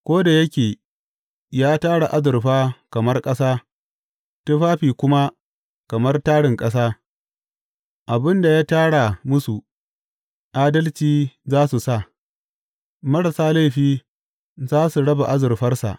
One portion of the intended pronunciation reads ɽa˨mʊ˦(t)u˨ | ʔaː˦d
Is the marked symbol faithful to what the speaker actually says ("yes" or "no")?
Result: no